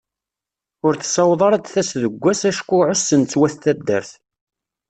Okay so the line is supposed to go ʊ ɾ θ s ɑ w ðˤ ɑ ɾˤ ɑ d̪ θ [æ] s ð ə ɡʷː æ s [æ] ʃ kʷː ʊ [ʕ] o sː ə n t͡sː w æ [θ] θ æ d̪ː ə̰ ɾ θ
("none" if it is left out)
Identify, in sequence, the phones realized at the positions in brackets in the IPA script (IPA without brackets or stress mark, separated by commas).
æ, æ, ʕ, θ